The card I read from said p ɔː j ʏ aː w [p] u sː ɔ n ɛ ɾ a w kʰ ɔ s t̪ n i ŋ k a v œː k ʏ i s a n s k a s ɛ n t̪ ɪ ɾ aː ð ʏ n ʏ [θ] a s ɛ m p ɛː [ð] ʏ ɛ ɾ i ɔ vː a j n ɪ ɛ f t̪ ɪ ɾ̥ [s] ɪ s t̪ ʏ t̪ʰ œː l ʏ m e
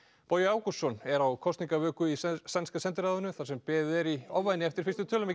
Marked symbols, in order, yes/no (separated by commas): no, yes, yes, no